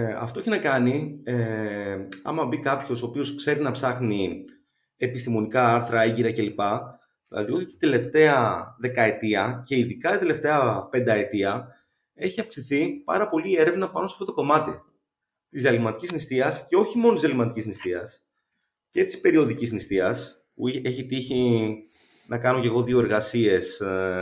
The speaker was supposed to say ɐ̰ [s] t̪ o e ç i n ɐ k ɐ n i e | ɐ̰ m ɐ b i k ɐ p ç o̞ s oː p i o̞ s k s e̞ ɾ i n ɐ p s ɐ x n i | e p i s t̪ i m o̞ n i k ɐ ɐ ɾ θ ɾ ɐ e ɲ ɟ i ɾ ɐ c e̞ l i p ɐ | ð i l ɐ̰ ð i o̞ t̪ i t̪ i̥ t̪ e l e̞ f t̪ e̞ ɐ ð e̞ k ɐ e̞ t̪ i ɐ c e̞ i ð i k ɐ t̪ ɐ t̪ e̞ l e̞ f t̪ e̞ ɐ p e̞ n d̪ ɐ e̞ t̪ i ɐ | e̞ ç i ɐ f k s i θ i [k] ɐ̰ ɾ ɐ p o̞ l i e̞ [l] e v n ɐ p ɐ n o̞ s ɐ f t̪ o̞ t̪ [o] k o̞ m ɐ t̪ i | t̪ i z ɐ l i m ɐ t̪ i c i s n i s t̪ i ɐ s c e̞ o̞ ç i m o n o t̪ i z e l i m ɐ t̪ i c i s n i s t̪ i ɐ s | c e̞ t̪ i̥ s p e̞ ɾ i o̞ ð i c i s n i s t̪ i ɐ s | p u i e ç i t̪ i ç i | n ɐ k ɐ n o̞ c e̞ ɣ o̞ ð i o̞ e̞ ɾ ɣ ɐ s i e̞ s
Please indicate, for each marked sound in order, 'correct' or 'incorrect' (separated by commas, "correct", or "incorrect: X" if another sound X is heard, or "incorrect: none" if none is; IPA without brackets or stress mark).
incorrect: f, incorrect: p, incorrect: ɾ, correct